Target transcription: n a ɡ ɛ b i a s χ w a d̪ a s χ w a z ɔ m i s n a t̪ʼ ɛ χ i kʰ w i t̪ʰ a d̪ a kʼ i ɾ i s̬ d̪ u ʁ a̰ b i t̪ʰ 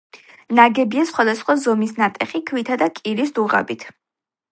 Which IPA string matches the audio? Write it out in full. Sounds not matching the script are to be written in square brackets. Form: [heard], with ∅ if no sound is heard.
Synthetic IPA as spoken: n a ɡ ɛ b i a s χ w a d̪ a s χ w a z ɔ m i s n a t̪ʼ ɛ χ i kʰ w i t̪ʰ a d̪ a kʼ i ɾ i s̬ d̪ u ʁ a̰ b i t̪ʰ

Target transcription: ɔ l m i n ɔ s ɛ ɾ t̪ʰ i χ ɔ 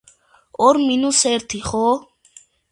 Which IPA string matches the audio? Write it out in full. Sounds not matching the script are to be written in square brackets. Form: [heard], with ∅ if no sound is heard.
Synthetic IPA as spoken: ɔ [ɾ] m i n [u] s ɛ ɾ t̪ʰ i χ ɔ

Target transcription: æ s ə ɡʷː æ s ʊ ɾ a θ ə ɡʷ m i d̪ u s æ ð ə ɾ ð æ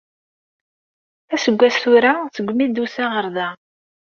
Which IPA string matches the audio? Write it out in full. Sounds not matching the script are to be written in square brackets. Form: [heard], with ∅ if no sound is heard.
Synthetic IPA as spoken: æ s ə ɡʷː æ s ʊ ɾ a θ ə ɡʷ m i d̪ u s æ [ʁ] ə ɾ ð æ

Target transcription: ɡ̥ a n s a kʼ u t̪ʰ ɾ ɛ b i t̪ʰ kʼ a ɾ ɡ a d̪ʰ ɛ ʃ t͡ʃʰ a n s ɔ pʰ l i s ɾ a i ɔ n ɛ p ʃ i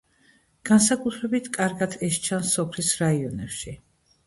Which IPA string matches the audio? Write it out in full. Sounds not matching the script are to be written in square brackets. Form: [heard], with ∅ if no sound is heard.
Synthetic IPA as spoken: ɡ̥ a n s a kʼ u t̪ʰ ɾ ɛ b i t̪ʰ kʼ a ɾ ɡ a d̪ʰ ɛ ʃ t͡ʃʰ a n s ɔ pʰ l i s ɾ a i ɔ n ɛ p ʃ i

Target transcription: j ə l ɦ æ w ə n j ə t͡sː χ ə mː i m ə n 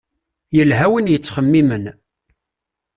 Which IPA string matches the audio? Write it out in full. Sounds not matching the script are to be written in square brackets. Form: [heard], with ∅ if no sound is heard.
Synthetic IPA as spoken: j ə l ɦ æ w ə n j ə t͡sː χ ə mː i m ə n

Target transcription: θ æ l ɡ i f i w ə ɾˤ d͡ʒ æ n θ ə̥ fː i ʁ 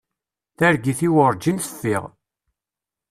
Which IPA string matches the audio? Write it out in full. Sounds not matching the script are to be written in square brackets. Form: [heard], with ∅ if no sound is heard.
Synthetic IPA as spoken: θ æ [ɾ] ɡ i [θ] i w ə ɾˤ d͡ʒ [i] n θ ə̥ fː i ʁ

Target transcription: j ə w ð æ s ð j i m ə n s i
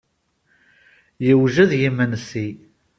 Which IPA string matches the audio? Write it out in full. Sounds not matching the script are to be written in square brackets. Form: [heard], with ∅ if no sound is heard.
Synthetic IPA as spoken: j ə w [ʒ] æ [∅] ð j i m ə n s i

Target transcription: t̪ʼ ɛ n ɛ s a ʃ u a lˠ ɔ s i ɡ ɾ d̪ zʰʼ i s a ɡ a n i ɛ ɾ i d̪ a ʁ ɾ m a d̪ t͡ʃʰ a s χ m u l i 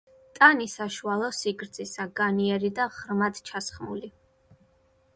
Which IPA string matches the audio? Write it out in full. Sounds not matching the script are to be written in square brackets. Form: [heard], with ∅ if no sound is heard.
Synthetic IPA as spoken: t̪ʼ [a] n [i] s a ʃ u a lˠ ɔ s i ɡ ɾ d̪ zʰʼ i s a ɡ a n i ɛ ɾ i d̪ a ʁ ɾ m a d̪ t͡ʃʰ a s χ m u l i

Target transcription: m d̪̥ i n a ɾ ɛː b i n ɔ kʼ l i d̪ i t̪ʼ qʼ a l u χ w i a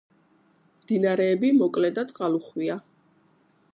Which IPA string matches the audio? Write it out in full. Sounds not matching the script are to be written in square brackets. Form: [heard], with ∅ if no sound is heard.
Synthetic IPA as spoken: m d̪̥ i n a ɾ ɛː b i [m] ɔ kʼ l [ɛ] d̪ [a] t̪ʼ qʼ a l u χ w i a

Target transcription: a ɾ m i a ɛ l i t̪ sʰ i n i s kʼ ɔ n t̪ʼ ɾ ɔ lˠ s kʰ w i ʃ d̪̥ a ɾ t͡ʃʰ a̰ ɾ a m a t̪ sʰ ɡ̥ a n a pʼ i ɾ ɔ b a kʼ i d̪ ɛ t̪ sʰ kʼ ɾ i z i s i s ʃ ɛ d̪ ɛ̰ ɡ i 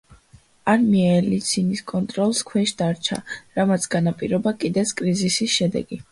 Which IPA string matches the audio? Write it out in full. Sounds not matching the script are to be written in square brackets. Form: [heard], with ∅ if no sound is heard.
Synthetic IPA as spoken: a ɾ m i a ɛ l i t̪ sʰ i n i s kʼ ɔ n t̪ʼ ɾ ɔ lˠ s kʰ w [ɛ] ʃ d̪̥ a ɾ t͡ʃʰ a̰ ɾ a m a t̪ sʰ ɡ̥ a n a pʼ i ɾ ɔ b a kʼ i d̪ ɛ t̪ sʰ kʼ ɾ i z i s i s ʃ ɛ d̪ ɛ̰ ɡ i

